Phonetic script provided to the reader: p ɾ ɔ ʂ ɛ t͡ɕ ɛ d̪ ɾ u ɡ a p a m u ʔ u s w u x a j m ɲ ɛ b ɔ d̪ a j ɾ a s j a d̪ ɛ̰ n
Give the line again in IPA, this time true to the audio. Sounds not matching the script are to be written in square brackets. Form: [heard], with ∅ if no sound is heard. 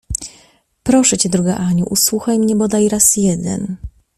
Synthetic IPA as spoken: p ɾ ɔ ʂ ɛ t͡ɕ ɛ d̪ ɾ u ɡ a [ʔ] a [ɲ] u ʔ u s w u x a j m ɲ ɛ b ɔ d̪ a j ɾ a s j [ɛ] d̪ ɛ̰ n